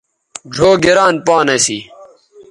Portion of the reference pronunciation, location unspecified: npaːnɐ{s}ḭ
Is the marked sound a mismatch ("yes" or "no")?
no